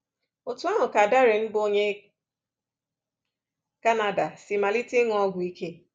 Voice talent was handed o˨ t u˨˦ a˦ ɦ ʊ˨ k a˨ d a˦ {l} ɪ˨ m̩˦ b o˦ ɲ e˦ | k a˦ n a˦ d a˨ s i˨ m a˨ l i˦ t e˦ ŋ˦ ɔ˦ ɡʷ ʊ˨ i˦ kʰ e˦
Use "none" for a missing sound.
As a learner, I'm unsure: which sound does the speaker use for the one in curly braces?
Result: ɾ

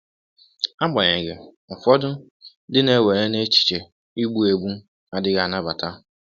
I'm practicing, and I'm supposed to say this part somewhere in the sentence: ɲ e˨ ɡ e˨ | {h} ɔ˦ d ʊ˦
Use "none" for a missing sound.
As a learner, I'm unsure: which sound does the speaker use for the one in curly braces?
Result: f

